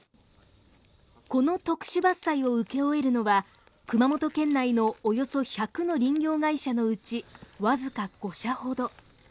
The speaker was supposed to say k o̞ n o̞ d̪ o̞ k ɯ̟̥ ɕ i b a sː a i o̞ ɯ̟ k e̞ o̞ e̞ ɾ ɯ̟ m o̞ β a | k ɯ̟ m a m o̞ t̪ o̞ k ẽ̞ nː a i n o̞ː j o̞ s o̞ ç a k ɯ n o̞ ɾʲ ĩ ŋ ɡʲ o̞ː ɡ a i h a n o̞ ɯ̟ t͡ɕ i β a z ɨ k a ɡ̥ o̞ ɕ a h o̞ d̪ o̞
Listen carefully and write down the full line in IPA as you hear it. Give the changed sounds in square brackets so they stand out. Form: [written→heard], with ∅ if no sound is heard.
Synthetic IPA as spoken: k o̞ n o̞ [d̪→t̪] o̞ k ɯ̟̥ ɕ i b a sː a i o̞ ɯ̟ k e̞ o̞ e̞ ɾ ɯ̟ [m→n] o̞ β a | k ɯ̟ m a m o̞ t̪ o̞ k ẽ̞ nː a i n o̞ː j o̞ s o̞ ç a k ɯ n o̞ ɾʲ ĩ ŋ ɡʲ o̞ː ɡ a i [h→ɕ] a n o̞ ɯ̟ t͡ɕ i β a z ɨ k a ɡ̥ o̞ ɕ a h o̞ d̪ o̞